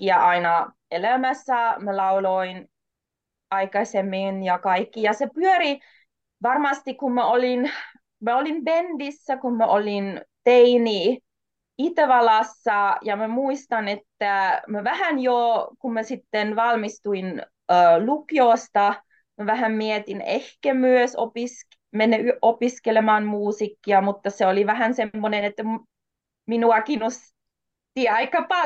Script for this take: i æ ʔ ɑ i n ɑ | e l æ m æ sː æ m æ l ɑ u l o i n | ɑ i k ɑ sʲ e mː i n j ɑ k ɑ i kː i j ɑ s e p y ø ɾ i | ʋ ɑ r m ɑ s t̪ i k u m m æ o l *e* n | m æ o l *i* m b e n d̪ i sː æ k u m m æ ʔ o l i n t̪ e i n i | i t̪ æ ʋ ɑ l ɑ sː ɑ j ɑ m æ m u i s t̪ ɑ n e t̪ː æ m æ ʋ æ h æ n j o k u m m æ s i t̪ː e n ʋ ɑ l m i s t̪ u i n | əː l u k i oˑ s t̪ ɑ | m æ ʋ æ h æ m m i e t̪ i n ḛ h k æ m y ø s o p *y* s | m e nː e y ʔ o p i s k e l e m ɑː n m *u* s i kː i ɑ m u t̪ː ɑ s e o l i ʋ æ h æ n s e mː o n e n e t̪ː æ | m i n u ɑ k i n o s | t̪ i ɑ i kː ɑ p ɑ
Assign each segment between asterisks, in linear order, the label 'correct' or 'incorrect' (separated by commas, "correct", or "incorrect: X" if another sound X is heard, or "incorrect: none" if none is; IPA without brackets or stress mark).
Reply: incorrect: i, correct, incorrect: i, incorrect: uː